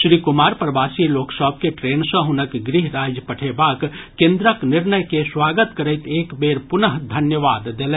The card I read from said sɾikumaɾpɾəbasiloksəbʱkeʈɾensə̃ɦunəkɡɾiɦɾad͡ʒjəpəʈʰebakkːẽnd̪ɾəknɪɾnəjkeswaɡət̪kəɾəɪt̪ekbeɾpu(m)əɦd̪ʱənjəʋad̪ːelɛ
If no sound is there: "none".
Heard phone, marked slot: n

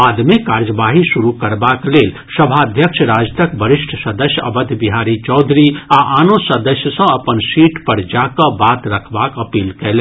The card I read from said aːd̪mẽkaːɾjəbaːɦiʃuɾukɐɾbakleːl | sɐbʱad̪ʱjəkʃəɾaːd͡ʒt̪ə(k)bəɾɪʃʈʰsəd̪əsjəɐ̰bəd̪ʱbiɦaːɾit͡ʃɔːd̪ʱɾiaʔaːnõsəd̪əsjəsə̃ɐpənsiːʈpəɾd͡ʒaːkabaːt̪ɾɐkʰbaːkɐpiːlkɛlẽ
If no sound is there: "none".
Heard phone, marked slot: k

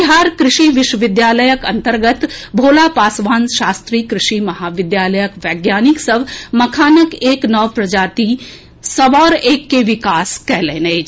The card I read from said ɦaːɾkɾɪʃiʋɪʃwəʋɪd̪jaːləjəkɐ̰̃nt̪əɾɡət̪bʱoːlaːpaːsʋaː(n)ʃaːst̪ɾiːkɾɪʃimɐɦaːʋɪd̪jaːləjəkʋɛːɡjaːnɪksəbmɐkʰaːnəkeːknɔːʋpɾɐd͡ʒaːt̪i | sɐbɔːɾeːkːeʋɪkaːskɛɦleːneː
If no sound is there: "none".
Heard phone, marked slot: n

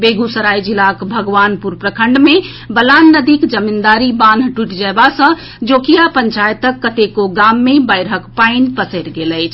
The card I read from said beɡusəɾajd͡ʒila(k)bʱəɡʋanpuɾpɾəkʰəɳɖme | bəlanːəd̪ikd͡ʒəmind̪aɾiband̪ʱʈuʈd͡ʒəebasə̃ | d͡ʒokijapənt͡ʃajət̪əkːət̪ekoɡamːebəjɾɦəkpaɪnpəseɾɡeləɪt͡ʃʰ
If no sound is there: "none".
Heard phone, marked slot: k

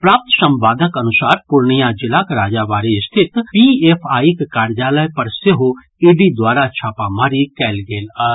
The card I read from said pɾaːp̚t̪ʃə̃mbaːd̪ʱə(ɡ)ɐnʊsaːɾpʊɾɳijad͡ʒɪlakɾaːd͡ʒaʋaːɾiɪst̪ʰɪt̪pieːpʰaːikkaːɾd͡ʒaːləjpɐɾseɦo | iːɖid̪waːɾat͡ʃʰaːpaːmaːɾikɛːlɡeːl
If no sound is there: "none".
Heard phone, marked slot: k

